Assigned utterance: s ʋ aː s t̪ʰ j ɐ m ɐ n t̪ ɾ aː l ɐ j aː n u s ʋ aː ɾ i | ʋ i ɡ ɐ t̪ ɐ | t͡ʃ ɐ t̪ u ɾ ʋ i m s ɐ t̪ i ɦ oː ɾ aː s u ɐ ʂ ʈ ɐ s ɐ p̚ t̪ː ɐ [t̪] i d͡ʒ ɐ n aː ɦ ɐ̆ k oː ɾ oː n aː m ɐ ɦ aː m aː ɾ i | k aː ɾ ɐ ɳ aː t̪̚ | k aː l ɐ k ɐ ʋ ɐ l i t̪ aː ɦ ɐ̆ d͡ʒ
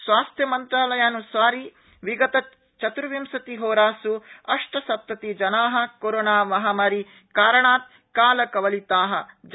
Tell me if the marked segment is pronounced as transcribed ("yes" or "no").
yes